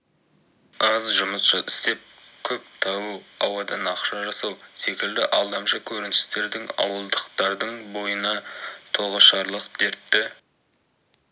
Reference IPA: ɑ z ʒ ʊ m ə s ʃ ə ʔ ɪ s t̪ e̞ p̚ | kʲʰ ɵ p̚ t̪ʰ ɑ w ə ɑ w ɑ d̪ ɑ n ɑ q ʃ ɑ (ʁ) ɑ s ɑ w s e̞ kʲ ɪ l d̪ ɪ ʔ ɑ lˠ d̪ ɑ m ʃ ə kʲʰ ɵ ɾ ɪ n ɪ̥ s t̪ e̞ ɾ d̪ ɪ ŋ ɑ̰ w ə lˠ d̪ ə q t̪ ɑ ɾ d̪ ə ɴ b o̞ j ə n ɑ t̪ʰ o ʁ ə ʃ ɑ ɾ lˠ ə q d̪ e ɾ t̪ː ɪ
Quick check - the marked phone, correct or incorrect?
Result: incorrect